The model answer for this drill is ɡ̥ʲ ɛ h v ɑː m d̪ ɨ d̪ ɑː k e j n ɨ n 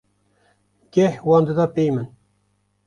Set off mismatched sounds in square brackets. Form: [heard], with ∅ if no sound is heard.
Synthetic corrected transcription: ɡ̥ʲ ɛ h [w] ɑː [n] d̪ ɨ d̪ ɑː [p] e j [m] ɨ n